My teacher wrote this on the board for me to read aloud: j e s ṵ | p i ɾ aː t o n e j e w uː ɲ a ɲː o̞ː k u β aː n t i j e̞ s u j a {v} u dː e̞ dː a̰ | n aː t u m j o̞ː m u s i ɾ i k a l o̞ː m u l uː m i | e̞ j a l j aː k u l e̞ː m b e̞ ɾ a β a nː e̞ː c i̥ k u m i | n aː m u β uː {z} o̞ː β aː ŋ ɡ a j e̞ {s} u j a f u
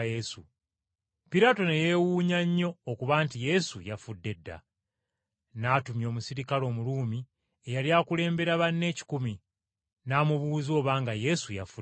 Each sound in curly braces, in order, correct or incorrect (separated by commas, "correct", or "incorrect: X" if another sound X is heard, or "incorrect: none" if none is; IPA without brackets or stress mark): incorrect: f, correct, correct